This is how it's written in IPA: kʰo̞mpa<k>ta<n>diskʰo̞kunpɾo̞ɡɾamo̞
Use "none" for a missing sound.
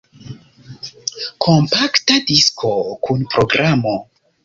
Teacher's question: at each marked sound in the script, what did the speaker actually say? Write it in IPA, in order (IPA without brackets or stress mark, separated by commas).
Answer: k, none